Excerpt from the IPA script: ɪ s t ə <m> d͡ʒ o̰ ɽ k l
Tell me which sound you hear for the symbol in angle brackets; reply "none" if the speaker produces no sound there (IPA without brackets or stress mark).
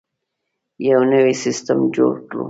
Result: m